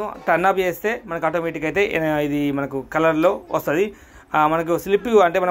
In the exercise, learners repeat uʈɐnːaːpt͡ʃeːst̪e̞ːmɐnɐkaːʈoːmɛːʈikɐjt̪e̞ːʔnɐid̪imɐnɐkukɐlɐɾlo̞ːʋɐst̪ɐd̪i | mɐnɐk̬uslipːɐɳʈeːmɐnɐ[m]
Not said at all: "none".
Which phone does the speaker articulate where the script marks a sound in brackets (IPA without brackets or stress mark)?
none